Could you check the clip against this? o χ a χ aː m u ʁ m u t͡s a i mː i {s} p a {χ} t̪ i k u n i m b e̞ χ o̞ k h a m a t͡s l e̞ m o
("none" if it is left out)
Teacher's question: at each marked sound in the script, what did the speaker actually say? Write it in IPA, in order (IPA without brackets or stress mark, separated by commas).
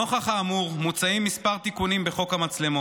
s, ʁ